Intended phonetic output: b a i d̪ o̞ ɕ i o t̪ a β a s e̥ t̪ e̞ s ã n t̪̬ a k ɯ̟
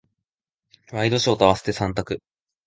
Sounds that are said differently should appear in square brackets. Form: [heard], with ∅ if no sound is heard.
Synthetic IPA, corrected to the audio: [β] a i d̪ o̞ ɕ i o t̪ a β a s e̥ t̪ e̞ s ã n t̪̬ a k ɯ̟